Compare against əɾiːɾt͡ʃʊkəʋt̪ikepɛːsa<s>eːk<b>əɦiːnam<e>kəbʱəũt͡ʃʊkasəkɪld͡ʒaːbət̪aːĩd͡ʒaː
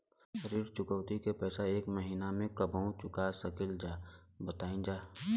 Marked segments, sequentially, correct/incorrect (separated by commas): incorrect, incorrect, incorrect